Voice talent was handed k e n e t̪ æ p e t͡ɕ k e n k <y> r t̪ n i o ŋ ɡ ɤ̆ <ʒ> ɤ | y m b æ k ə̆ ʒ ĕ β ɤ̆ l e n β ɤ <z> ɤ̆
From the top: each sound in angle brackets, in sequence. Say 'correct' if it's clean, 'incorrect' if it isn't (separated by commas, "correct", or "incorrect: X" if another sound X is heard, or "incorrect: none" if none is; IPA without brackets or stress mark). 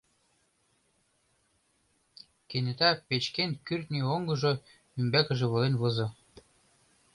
correct, correct, correct